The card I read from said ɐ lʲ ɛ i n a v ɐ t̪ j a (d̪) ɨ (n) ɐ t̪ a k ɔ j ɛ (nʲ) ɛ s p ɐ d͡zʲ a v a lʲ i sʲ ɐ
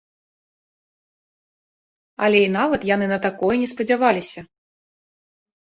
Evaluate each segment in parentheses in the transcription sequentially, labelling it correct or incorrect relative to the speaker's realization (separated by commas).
incorrect, correct, correct